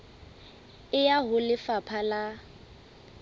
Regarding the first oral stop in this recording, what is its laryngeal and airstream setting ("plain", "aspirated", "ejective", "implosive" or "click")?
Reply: aspirated